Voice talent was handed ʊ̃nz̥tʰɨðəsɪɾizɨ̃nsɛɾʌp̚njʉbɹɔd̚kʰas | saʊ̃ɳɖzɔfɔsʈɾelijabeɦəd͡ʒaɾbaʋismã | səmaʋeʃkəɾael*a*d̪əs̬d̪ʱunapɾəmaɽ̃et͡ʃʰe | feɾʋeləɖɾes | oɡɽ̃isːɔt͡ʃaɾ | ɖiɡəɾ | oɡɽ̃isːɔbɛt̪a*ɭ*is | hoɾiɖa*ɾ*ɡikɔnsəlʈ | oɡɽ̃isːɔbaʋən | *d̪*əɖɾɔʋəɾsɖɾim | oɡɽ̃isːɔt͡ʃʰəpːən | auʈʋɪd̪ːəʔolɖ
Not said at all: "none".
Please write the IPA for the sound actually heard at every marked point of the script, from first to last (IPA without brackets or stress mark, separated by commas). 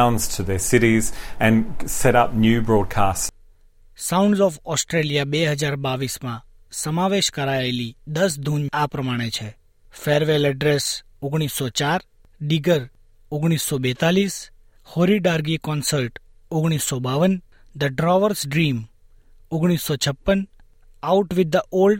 i, l, ɾ, d̪